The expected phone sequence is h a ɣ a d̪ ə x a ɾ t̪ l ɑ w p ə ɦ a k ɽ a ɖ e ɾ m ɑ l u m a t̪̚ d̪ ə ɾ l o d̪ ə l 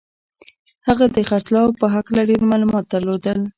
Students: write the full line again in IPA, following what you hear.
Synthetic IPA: h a ɣ a d̪ ə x a ɾ t̪ l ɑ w p ə ɦ a k l a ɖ e ɾ m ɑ l u m ɑ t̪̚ d̪ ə ɾ l o d̪ ə l